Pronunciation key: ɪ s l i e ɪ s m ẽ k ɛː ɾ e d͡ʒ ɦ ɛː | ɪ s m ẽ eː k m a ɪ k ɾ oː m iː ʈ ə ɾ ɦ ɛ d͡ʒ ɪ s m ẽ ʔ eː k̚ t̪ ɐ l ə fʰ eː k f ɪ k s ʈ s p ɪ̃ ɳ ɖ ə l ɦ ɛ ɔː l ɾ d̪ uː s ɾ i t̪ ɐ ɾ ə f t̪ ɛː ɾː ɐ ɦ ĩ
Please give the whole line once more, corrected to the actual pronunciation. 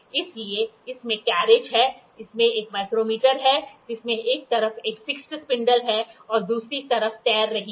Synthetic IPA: ɪ s l i e ɪ s m ẽ k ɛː ɾ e d͡ʒ ɦ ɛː | ɪ s m ẽ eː k m a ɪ k ɾ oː m iː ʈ ə ɾ ɦ ɛ d͡ʒ ɪ s m ẽ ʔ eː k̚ t̪ ɐ ɾ ə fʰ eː k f ɪ k s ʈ s p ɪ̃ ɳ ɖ ə l ɦ ɛ ɔː ɾ d̪ uː s ɾ i t̪ ɐ ɾ ə f t̪ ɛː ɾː ɐ ɦ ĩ

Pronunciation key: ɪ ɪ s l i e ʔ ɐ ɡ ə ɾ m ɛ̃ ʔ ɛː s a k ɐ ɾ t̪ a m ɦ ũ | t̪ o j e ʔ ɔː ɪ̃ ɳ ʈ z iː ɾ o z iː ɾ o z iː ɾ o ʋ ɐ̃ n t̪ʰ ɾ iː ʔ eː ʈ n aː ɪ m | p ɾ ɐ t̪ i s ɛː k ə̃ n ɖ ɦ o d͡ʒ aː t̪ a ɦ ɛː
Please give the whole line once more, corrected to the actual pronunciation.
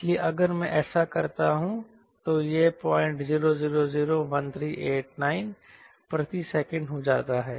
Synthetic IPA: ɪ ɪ s l i e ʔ ɐ ɡ ə ɾ m ɛ̃ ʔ ɛː s a k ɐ ɾ t̪ a ɦ ũ | t̪ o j e p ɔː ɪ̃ ɳ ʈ z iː ɾ o z iː ɾ o z iː ɾ o ʋ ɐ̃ n t̪ʰ ɾ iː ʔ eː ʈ n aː ɪ n | p ɾ ɐ t̪ i s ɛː k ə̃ ɳ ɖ ɦ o d͡ʒ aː t̪ a ɦ ɛː

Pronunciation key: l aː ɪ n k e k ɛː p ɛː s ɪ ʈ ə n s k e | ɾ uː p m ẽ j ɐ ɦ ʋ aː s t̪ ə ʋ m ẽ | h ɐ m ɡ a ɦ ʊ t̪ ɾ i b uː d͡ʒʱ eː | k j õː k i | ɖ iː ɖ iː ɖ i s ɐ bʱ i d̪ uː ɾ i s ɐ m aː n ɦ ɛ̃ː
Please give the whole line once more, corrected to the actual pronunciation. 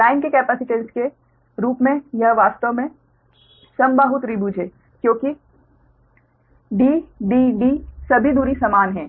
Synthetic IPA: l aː ɪ n k e k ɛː p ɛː s ɪ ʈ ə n s k e | ɾ uː p m ẽ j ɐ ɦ ʋ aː s t̪ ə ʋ m ẽ | s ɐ m b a ɦ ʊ t̪ ɾ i b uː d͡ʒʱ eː | k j õː k i | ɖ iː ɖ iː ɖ i s ɐ bʱ i d̪ uː ɾ i s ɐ m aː n ɦ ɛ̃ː

